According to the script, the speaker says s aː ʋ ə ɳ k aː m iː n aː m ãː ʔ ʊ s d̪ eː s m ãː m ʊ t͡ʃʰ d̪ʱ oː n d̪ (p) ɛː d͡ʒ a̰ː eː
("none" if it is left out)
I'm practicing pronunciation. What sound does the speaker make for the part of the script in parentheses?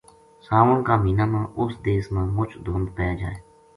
p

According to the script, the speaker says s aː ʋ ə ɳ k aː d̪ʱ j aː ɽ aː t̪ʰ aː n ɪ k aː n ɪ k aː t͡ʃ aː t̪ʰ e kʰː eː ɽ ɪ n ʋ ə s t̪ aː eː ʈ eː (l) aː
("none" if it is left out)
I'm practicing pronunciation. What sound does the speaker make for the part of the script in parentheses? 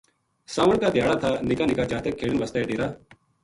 ɾ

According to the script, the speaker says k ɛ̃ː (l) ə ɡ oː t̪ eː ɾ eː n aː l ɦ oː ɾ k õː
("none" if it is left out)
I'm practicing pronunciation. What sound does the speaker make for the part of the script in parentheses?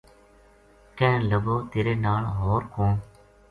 l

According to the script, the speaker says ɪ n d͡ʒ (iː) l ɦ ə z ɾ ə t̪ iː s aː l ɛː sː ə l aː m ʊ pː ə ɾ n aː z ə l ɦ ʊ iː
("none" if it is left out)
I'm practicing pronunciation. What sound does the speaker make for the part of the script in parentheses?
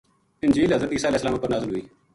iː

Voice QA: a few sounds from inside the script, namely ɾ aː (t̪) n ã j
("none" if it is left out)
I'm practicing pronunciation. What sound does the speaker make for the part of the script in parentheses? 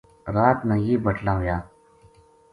t̪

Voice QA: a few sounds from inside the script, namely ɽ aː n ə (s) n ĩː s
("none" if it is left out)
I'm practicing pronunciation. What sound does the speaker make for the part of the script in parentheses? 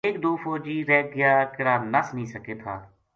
s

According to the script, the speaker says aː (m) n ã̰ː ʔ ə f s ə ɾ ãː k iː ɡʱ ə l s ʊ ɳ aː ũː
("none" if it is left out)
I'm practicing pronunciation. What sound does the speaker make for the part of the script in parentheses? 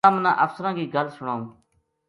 m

